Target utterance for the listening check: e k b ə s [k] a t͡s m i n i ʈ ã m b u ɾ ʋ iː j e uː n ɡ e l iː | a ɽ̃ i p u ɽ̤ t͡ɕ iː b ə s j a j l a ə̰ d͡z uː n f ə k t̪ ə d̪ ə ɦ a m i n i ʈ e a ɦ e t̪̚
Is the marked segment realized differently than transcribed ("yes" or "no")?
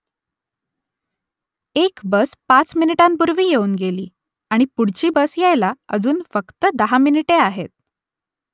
yes